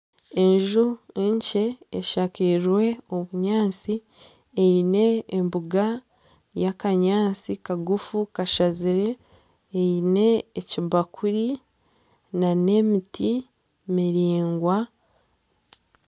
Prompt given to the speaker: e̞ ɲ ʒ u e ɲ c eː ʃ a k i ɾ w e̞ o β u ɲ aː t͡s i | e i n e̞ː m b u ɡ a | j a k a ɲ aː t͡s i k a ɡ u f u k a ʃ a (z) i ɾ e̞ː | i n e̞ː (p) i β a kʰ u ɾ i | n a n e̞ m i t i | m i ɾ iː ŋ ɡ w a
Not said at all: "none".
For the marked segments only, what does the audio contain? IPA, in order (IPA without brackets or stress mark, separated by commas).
z, c